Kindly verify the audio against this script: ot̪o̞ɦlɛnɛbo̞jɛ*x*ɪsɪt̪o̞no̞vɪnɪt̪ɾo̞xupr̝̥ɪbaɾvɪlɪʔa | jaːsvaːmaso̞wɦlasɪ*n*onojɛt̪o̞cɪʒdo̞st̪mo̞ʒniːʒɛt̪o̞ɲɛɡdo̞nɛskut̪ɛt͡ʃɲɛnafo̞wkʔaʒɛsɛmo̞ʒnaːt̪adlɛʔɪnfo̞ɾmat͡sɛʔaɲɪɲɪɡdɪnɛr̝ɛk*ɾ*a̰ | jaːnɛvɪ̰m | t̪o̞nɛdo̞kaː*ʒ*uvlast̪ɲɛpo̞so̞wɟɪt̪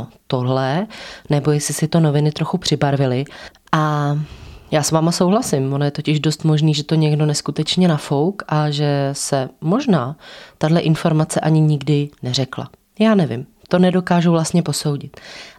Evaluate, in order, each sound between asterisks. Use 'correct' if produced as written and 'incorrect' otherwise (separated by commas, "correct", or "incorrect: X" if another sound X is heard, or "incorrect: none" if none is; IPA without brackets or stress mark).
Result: incorrect: s, incorrect: m, incorrect: l, correct